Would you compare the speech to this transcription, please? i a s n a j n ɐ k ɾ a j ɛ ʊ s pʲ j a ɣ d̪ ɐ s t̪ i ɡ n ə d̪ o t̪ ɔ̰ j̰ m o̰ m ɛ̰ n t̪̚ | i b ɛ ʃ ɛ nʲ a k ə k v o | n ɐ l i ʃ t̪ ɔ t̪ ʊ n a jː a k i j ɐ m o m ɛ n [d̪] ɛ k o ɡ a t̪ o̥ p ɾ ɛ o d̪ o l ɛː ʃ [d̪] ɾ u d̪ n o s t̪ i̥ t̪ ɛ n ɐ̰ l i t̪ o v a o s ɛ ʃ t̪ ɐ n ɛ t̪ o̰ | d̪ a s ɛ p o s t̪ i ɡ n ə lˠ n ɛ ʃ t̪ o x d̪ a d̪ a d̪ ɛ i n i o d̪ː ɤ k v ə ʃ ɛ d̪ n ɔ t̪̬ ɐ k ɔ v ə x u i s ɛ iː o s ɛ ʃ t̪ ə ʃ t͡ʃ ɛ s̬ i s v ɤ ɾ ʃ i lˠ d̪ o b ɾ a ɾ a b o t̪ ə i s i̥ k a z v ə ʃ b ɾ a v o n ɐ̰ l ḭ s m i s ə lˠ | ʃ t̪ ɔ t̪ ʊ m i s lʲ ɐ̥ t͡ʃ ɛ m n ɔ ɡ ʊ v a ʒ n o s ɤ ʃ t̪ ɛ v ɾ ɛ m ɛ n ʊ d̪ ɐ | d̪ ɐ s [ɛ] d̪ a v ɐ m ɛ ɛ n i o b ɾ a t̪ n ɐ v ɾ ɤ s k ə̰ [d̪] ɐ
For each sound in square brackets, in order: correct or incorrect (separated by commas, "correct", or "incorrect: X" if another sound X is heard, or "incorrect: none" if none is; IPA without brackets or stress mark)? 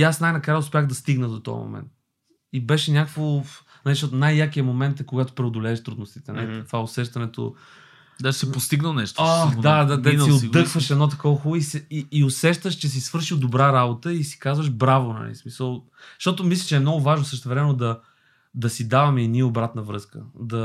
incorrect: t̪, incorrect: t̪, incorrect: i, correct